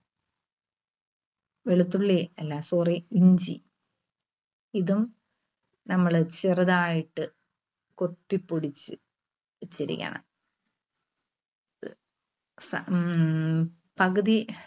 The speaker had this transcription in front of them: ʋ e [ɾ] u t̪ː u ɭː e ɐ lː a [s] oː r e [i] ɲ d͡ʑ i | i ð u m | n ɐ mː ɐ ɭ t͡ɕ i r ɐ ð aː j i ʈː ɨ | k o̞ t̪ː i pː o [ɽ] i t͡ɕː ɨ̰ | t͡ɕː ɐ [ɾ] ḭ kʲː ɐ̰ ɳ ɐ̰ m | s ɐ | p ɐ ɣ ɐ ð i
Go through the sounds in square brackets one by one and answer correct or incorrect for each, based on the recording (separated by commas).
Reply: incorrect, correct, correct, correct, correct